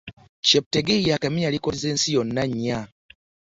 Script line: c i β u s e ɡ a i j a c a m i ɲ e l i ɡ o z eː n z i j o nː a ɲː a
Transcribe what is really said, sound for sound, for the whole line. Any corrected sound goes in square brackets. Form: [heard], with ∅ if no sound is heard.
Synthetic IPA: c [e] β u [t] e ɡ [e] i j a [k] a m i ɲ [a] l i [k] o z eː n [s] i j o nː a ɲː a